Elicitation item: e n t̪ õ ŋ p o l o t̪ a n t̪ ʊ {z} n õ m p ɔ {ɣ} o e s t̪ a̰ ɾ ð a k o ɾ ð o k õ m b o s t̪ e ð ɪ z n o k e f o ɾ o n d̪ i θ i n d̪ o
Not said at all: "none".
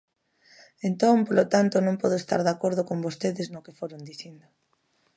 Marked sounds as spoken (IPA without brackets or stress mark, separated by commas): none, ð